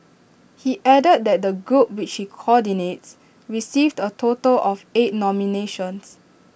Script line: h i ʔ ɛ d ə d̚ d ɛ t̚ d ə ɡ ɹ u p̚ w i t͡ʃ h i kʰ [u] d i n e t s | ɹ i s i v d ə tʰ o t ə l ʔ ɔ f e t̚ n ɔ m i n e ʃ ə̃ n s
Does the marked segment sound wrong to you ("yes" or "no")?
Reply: yes